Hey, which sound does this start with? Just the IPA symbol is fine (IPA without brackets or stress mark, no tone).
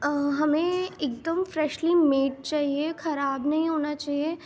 ɦ